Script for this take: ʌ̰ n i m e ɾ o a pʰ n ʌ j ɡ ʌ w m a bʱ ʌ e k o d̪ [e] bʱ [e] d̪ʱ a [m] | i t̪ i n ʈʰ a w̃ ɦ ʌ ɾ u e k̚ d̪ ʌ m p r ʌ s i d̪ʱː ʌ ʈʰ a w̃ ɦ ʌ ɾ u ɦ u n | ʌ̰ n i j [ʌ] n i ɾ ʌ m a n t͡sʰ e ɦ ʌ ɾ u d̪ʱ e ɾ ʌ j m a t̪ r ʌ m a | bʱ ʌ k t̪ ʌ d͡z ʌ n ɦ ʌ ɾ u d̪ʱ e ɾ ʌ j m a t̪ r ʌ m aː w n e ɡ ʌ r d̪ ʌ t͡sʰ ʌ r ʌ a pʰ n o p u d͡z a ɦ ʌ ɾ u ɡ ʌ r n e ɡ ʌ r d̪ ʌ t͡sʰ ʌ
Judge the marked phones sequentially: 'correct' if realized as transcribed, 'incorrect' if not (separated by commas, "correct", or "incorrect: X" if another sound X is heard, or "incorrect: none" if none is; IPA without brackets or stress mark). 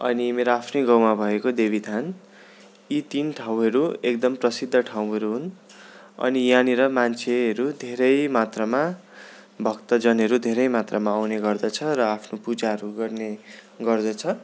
correct, incorrect: i, incorrect: n, incorrect: a